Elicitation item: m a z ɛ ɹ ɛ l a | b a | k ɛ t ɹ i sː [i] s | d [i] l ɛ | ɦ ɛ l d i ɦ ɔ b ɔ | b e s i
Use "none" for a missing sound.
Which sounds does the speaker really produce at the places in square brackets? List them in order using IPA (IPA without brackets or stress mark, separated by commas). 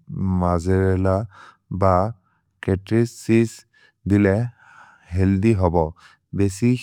i, i